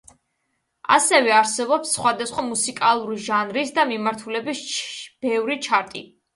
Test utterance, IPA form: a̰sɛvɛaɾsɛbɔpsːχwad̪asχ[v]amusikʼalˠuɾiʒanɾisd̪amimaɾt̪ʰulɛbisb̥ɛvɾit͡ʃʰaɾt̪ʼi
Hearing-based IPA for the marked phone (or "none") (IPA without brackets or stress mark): w